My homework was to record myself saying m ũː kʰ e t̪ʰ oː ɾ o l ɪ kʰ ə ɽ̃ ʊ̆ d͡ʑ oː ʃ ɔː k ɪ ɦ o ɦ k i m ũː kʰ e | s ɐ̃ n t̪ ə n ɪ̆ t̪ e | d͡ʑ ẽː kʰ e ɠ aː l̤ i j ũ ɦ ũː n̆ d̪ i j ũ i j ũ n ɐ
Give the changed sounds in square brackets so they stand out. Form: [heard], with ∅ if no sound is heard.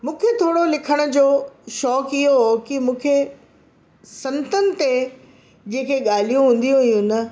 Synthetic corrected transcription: m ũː kʰ e t̪ʰ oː [ɽ] o l ɪ kʰ ə ɽ̃ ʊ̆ d͡ʑ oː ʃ ɔː k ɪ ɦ o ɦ k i m ũː kʰ e | s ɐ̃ n t̪ ə n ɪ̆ t̪ e | d͡ʑ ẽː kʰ e ɠ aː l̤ i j ũ ɦ ũː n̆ d̪ i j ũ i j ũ n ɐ